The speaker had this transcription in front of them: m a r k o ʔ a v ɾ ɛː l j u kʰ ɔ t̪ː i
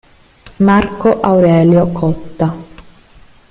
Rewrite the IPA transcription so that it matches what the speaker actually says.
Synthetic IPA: m a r k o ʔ a w ɾ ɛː l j o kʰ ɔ t̪ː a

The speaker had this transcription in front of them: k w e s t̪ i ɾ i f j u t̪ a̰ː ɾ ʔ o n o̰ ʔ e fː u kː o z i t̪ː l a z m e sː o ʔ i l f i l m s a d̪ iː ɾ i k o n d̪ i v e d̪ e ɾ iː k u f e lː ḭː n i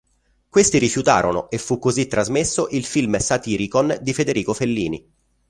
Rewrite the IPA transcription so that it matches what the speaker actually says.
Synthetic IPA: k w e s t̪ i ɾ i f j u t̪ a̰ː ɾ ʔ o n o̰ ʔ e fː u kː o z i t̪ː ɾ a z m e sː o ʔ i l f i l m s a t̪ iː ɾ i k o n d̪ i f e d̪ e ɾ iː k o f e lː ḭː n i

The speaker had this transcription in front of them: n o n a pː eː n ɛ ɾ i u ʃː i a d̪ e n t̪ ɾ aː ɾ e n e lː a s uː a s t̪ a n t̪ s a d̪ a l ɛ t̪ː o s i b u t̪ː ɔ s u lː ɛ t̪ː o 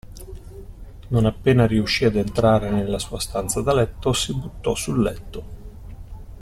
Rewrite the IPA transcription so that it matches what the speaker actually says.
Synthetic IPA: n o n a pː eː n a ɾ i u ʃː i a d̪ e n t̪ ɾ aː ɾ e n e lː a s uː a s t̪ a n t̪ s a d̪ a l ɛ t̪ː o s i b u t̪ː ɔ s u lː ɛ t̪ː o

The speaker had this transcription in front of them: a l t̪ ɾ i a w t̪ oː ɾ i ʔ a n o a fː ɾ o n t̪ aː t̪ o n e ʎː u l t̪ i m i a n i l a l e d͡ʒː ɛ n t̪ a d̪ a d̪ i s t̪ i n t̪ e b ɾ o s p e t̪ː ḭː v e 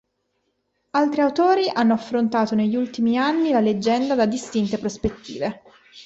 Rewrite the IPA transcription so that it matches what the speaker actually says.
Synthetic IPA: a l t̪ ɾ i a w t̪ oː ɾ i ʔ a nː o a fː ɾ o n t̪ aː t̪ o n e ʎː u l t̪ i m i a nː i l a l e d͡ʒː ɛ n d̪ a d̪ a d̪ i s t̪ i n t̪ e p ɾ o s p e t̪ː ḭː v e

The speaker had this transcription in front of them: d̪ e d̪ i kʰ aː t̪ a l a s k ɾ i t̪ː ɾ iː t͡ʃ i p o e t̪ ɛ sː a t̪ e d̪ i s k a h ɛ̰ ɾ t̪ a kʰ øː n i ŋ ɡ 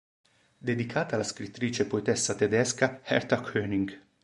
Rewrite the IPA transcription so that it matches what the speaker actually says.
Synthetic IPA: d̪ e d̪ i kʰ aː t̪ a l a s k ɾ i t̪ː ɾ iː t͡ʃ e p o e t̪ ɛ sː a t̪ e d̪ ɛ s k a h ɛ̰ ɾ t̪ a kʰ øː n i ŋ ɡ

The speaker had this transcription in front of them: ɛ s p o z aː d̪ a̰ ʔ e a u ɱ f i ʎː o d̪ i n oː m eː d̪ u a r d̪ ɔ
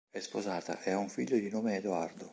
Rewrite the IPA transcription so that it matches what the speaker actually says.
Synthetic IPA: ɛ s p o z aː t̪ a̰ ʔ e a u ɱ f i ʎː o d̪ i n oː m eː d̪ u a r d̪ o

